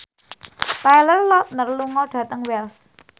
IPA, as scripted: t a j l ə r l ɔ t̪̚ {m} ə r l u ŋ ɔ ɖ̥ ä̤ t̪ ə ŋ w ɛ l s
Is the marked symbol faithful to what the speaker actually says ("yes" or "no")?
no